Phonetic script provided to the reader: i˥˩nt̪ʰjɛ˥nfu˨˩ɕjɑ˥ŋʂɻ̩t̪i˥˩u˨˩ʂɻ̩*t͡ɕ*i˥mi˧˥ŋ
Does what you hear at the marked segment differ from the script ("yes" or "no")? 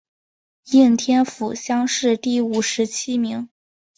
yes